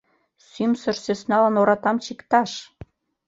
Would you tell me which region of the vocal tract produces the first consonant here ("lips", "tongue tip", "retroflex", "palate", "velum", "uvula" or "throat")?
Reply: tongue tip